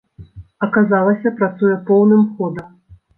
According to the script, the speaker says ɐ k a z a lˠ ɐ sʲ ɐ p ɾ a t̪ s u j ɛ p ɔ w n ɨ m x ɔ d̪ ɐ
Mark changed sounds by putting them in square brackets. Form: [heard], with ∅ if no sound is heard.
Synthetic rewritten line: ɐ k a z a lˠ ɐ sʲ ɐ p ɾ a t̪ s u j ɛ p ɔ w n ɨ m x ɔ d̪ ɐ